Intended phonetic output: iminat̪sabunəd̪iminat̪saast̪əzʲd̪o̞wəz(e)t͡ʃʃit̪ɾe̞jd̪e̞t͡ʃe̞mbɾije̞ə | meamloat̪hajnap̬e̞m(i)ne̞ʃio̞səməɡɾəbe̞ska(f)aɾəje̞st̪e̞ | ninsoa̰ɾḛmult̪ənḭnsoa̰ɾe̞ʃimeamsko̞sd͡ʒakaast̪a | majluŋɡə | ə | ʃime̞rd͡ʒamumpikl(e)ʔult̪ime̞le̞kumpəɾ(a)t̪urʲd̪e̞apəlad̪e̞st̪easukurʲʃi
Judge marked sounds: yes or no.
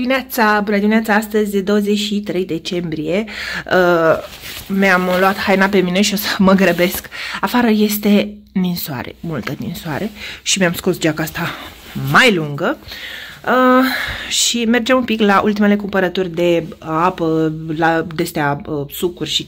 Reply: yes, yes, yes, no, no

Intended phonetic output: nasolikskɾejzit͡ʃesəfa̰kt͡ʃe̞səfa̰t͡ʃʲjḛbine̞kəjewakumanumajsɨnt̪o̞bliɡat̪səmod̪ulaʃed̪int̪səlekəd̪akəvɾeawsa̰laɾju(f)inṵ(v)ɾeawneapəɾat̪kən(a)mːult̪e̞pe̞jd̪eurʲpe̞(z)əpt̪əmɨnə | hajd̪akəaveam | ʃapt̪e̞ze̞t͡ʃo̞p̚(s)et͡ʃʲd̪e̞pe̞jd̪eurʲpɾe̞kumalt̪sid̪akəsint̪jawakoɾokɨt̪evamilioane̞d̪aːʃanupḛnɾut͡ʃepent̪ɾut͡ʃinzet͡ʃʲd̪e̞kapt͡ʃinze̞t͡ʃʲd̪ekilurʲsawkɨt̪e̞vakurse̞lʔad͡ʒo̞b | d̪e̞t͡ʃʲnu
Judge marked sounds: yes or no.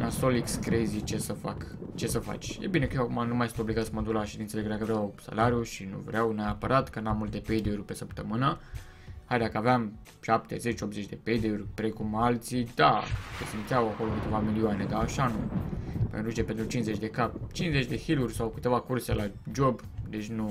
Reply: no, yes, yes, no, no

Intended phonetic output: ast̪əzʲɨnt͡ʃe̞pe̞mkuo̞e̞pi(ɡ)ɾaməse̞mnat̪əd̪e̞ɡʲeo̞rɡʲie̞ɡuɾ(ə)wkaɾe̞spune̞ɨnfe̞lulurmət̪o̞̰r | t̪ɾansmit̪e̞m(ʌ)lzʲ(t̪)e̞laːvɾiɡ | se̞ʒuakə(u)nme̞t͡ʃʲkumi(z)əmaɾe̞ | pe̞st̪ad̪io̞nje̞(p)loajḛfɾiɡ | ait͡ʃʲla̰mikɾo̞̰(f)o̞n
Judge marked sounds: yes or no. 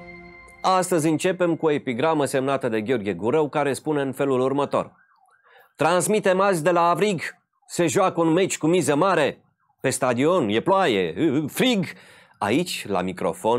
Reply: yes, yes, no, no, yes, yes, yes, yes

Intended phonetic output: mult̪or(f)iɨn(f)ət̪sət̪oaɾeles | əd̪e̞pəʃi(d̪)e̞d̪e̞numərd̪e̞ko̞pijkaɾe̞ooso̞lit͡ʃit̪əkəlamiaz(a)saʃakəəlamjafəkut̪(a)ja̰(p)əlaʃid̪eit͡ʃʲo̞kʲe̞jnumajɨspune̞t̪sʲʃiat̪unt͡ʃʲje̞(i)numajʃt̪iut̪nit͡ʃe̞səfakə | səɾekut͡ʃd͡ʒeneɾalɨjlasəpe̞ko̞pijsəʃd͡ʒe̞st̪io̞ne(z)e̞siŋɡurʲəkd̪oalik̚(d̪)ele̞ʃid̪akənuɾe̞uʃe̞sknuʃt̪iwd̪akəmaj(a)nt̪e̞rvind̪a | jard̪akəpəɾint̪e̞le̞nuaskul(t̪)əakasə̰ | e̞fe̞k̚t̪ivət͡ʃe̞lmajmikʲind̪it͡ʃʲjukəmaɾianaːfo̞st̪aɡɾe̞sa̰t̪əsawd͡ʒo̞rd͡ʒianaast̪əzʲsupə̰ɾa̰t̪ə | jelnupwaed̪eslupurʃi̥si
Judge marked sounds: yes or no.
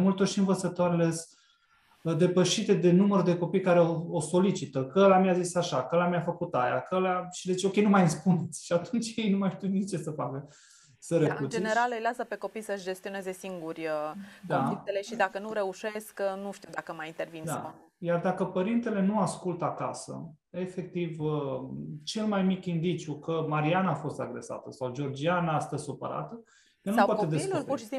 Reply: no, no, no, no, yes, no, no, yes, no, no, yes

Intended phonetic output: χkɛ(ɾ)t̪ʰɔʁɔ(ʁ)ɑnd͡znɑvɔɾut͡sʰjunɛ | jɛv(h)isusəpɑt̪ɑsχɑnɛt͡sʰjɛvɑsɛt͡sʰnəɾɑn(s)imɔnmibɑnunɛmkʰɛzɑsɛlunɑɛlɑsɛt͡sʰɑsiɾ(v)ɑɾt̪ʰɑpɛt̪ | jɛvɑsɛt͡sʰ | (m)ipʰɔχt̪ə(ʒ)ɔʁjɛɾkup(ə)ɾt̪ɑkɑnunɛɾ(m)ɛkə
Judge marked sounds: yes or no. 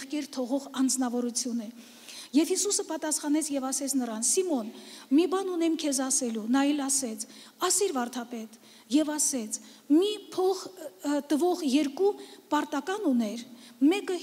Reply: yes, yes, yes, yes, yes, yes, no, no, yes

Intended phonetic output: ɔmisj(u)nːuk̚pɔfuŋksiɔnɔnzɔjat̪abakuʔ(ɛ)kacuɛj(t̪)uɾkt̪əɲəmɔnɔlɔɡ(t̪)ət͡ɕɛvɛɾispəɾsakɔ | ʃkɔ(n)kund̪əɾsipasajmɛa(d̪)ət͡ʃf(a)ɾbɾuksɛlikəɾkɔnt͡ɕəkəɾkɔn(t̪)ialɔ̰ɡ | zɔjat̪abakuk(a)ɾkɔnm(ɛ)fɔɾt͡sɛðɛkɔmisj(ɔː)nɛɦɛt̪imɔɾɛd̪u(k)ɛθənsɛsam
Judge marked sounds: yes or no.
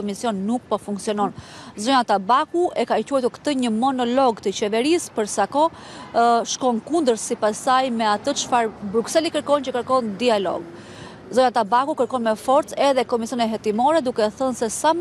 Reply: no, yes, yes, yes, yes, no, yes, no, no, yes, no, yes

